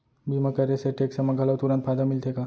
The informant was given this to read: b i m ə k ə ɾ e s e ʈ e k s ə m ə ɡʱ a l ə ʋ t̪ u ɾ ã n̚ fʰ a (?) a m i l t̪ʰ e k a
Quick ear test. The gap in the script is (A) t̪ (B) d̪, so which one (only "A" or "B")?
B